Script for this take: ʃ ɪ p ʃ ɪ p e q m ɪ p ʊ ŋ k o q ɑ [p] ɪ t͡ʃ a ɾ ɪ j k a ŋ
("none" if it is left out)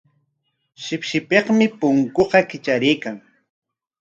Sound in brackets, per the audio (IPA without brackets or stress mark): k